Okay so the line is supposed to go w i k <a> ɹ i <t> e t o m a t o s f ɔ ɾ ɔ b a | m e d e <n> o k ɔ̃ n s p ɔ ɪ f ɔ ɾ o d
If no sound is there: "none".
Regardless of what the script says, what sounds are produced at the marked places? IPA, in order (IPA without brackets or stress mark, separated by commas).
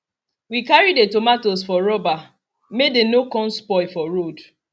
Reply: a, d, n